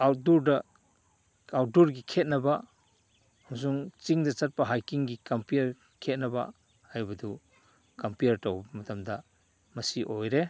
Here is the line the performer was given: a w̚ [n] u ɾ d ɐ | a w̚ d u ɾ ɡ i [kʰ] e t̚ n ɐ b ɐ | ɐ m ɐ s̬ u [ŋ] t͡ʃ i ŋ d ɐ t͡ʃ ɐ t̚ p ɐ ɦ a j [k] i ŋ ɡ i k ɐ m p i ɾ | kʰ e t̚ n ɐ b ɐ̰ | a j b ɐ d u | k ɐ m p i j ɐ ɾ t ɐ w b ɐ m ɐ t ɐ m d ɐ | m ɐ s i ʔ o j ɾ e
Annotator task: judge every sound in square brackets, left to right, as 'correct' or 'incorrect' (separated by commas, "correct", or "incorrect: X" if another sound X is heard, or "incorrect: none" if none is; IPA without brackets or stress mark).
incorrect: d, correct, correct, correct